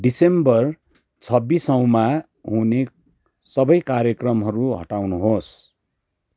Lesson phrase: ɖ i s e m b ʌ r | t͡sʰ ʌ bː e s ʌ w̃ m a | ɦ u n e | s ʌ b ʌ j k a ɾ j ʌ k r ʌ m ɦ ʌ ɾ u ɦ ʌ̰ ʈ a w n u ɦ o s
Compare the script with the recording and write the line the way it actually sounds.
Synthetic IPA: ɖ i s e m b ʌ r | t͡sʰ ʌ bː i s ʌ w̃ m a | ɦ u n e | s ʌ b ʌ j k a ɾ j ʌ k r ʌ m ɦ ʌ ɾ u ɦ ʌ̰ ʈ a w n u ɦ o s